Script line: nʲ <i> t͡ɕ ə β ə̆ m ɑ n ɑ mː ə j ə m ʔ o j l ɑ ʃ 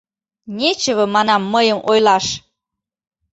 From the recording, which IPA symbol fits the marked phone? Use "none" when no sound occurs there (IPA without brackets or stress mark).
e